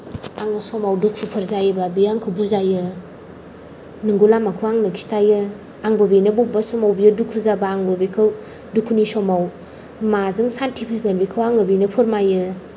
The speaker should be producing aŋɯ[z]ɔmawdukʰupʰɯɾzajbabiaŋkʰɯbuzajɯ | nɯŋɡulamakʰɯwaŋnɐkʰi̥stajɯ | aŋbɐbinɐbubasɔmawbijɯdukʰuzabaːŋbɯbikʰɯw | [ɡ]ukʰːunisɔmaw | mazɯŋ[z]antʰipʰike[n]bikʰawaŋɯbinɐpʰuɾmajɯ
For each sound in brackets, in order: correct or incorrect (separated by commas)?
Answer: incorrect, incorrect, incorrect, correct